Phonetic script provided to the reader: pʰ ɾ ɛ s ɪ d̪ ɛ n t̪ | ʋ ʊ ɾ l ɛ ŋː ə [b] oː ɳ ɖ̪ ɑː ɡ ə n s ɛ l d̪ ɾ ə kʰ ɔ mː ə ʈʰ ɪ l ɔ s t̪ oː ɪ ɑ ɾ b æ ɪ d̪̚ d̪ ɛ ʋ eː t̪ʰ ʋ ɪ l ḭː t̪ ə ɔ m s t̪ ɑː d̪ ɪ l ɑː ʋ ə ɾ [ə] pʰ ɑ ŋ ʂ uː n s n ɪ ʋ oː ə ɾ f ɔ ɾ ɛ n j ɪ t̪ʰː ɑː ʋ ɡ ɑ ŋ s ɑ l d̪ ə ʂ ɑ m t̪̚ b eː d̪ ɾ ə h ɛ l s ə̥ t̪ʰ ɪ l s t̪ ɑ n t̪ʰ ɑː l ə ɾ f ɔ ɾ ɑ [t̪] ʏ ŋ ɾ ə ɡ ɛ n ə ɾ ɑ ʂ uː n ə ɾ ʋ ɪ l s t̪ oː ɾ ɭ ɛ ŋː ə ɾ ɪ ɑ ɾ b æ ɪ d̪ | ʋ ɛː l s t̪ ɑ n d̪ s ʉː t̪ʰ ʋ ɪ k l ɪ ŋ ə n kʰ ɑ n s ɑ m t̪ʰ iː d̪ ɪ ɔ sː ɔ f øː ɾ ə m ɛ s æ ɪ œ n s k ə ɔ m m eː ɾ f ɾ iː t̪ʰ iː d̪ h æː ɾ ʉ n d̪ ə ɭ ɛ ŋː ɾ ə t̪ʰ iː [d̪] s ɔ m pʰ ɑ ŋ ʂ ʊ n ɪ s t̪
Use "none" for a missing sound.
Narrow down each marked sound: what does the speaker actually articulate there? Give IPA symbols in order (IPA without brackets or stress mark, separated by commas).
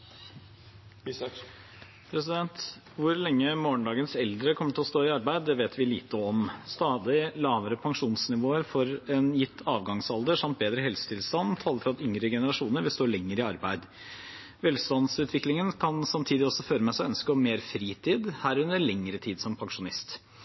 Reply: m, ə, t̪, d̪